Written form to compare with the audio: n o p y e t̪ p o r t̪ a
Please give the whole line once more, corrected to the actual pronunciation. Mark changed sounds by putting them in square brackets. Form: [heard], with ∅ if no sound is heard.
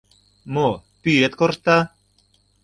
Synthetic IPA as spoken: [m] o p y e t̪ [k] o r t̪ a